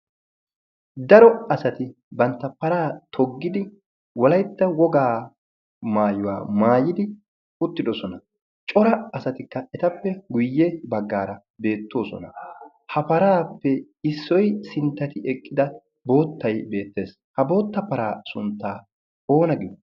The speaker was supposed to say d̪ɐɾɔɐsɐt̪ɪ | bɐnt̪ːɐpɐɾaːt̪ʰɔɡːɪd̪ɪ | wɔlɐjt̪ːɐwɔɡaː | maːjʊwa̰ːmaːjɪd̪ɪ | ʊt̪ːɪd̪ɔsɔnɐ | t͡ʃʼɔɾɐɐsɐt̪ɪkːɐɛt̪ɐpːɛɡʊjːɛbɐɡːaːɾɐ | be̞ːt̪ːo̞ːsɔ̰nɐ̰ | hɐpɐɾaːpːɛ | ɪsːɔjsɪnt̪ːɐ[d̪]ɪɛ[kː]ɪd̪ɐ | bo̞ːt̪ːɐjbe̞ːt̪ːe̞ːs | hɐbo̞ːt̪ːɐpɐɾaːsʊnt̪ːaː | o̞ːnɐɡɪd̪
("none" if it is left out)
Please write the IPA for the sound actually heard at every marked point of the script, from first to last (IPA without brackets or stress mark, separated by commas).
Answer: t̪, kʼː